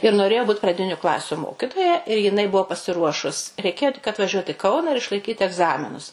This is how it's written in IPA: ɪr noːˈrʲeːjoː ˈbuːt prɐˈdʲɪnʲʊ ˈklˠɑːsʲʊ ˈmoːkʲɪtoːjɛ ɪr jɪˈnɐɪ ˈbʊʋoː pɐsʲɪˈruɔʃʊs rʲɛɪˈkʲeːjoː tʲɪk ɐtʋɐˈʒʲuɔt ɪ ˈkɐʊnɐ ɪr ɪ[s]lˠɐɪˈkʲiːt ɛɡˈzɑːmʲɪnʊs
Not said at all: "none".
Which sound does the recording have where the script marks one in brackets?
ʃ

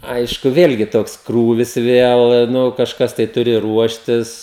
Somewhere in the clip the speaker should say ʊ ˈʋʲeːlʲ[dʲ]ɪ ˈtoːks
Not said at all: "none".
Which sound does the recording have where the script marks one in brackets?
ɡʲ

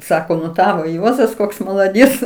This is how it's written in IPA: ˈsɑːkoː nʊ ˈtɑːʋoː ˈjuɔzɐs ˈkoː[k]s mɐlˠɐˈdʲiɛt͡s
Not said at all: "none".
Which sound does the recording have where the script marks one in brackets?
k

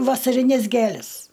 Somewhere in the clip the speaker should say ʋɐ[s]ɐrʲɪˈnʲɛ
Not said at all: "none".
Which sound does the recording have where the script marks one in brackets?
s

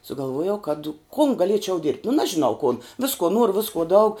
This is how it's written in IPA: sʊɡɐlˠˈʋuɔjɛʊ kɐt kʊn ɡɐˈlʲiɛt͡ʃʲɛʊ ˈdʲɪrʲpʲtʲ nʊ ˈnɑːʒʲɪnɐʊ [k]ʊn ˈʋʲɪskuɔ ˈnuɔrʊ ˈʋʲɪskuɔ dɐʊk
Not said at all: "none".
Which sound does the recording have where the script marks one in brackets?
k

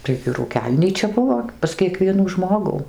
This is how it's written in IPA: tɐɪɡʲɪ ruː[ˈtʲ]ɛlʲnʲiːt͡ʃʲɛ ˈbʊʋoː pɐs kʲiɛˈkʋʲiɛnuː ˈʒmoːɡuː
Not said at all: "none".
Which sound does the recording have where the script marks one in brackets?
kʲ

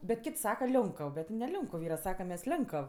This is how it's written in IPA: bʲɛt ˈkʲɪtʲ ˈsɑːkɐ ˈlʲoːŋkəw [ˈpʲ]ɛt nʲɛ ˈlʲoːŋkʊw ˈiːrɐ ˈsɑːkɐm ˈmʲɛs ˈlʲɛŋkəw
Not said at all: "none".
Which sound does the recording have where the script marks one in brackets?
bʲ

